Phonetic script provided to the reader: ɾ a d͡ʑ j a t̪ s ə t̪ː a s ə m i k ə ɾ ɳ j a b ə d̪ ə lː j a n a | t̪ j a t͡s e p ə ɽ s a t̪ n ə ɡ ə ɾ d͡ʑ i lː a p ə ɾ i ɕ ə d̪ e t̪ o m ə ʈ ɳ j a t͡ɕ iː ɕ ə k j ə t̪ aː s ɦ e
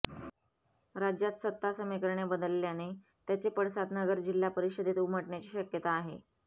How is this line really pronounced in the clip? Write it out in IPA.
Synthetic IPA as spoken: ɾ a d͡ʑ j a t̪ s ə t̪ː a s ə m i k ə ɾ ɳ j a b ə d̪ ə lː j a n e | t̪ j a t͡s e p ə ɽ s a t̪ n ə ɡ ə ɾ d͡ʑ i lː a p ə ɾ i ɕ ə d̪ e t̪ u m ə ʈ ɳ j a t͡ɕ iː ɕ ə k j ə t̪ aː ɦ e